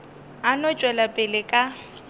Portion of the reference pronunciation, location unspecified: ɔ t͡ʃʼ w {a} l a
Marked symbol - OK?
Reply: no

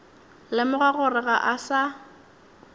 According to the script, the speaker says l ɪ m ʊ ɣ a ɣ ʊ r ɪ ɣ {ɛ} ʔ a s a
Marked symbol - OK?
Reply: no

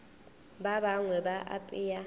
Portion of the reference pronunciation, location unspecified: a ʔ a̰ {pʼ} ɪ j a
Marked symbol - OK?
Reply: yes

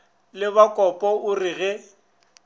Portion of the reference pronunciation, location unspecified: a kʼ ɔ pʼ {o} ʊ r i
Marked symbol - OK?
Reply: no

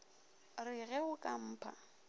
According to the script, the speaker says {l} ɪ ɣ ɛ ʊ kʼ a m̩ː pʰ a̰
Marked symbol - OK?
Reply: no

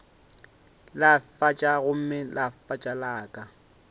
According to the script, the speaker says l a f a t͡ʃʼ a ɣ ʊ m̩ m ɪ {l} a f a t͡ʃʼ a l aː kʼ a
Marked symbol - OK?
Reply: yes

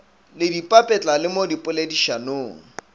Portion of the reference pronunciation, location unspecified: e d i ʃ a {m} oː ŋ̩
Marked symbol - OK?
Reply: no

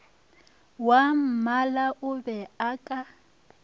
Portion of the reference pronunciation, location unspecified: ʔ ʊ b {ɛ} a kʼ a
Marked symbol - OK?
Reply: yes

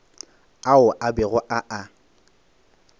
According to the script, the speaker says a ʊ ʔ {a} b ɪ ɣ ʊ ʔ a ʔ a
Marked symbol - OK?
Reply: yes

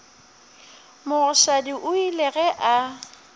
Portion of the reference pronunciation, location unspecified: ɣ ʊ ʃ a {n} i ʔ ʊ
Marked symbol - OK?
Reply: no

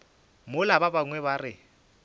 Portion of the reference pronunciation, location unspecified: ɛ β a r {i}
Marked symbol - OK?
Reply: no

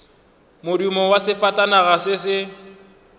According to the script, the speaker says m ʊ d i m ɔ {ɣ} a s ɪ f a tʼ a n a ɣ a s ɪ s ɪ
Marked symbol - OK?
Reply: no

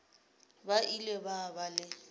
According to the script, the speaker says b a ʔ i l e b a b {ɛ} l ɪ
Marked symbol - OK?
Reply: no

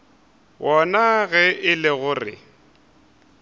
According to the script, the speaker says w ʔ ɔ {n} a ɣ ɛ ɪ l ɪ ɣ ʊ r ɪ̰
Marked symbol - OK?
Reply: yes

